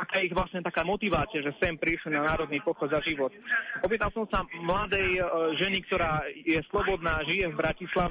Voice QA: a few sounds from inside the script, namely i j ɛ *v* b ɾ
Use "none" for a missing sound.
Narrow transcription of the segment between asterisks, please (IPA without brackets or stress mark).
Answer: v